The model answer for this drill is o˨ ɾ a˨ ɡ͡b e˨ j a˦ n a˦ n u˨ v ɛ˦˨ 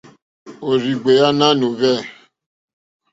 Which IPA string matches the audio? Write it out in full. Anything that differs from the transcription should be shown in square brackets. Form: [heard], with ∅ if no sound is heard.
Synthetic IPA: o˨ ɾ [i˨] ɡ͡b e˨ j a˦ n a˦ n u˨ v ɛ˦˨